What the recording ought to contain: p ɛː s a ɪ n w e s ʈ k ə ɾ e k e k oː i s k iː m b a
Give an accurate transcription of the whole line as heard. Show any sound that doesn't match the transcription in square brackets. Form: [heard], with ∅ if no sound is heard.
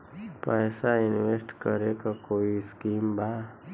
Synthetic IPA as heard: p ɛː s a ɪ n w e s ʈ k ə ɾ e k [a] k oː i s k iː m b a